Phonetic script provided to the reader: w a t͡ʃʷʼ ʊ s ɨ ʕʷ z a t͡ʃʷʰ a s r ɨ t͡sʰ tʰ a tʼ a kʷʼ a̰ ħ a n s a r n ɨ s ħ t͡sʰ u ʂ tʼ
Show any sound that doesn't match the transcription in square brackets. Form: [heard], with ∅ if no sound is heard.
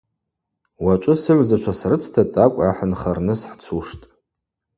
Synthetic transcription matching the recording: w a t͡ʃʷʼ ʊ s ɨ ʕʷ z a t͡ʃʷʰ a s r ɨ t͡sʰ tʰ a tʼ a kʷʼ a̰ ħ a n [χ] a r n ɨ s ħ t͡sʰ u ʂ tʼ